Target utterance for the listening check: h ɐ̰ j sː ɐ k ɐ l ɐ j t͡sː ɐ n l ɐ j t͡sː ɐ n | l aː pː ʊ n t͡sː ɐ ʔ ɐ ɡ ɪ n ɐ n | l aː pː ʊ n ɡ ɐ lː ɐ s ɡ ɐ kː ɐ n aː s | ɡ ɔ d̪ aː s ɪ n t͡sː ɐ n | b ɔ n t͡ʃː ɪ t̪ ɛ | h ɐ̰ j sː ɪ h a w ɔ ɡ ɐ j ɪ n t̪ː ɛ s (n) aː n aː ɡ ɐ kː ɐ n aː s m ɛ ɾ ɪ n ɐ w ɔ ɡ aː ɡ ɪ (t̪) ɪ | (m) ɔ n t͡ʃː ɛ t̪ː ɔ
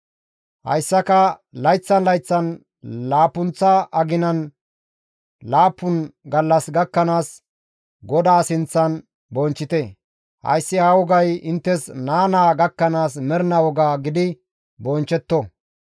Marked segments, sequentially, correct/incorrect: correct, incorrect: d̪, incorrect: b

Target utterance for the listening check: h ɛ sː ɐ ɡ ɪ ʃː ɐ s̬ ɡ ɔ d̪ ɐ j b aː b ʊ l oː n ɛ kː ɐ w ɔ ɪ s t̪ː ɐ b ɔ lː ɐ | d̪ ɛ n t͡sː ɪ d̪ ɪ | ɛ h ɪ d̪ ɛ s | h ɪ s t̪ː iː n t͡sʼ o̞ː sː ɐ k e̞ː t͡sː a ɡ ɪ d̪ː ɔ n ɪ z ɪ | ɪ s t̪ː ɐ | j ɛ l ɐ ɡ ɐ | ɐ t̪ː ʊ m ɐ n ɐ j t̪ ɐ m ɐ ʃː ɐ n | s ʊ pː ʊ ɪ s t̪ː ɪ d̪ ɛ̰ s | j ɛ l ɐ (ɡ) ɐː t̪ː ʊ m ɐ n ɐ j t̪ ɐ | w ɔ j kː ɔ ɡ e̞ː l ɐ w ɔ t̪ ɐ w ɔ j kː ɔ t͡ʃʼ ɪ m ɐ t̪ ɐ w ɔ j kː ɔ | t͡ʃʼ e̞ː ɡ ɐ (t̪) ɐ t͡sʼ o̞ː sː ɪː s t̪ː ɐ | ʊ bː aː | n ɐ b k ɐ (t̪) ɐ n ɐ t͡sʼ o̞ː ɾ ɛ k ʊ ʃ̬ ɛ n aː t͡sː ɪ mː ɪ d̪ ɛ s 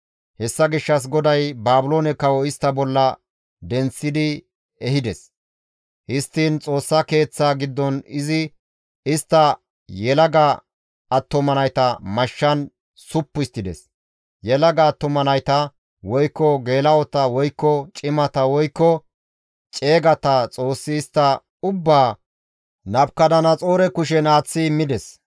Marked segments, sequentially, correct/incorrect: correct, correct, incorrect: d̪

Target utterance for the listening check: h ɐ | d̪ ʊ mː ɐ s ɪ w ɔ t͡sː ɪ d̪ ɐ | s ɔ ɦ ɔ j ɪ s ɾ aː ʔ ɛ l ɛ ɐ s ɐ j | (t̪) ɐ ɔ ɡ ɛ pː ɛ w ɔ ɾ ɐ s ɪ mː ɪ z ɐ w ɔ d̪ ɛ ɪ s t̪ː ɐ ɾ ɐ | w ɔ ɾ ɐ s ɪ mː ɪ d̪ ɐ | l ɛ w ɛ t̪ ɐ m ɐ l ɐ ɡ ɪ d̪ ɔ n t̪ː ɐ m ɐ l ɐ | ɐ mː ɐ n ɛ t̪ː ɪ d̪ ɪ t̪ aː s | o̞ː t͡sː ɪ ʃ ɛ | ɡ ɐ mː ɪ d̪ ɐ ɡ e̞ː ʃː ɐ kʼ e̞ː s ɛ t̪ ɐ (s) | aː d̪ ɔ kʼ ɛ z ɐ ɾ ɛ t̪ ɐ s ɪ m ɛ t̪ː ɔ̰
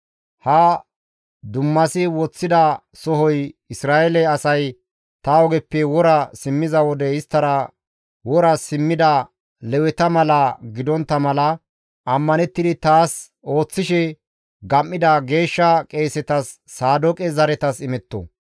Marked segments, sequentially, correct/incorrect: correct, incorrect: sː

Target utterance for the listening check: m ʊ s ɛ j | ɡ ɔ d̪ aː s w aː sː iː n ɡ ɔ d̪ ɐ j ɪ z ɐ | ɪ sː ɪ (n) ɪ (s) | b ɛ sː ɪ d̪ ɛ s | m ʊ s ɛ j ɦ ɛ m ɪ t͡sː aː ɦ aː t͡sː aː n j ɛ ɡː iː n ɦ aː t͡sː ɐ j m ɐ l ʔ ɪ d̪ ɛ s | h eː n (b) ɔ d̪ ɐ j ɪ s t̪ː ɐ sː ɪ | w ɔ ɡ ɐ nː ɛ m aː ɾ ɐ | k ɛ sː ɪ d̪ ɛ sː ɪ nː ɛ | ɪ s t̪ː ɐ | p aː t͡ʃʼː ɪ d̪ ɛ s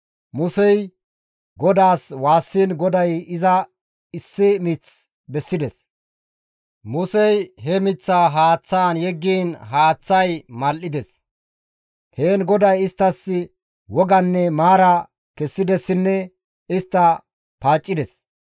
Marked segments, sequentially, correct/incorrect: incorrect: m, incorrect: t͡s, incorrect: ɡ

